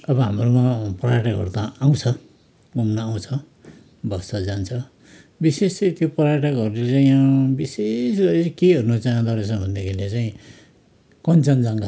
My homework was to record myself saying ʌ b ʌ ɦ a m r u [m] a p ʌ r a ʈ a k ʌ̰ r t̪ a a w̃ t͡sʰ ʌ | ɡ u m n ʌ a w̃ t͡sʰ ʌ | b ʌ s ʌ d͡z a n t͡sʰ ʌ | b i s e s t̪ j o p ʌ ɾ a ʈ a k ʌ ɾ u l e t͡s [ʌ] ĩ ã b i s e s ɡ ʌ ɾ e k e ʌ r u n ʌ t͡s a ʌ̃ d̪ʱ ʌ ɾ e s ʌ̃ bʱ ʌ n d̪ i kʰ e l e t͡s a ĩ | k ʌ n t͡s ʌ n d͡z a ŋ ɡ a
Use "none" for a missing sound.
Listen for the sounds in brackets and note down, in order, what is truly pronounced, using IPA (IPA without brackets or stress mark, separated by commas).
m, a